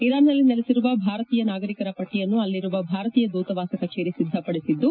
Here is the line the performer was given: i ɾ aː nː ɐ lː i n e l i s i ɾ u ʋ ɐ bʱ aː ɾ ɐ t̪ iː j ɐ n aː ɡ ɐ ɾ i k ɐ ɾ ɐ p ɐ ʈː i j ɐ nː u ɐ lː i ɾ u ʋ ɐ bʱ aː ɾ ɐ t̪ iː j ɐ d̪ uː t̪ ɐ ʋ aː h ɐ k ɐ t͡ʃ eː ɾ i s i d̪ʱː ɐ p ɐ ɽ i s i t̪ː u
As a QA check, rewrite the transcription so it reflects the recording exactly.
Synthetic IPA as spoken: i ɾ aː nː ɐ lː i n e l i s i ɾ u ʋ ɐ bʱ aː ɾ ɐ t̪ iː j ɐ n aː ɡ ɐ ɾ i k ɐ ɾ ɐ p ɐ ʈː i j ɐ nː u ɐ lː i ɾ u ʋ ɐ bʱ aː ɾ ɐ t̪ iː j ɐ d̪ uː t̪ ɐ ʋ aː s ɐ k ɐ t͡ʃ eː ɾ i s i d̪ʱː ɐ p ɐ ɽ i s i d̪ː u